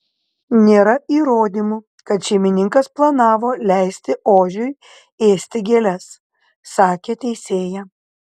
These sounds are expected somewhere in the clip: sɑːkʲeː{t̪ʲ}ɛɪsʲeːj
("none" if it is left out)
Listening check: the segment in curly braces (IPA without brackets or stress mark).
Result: t̪ʲ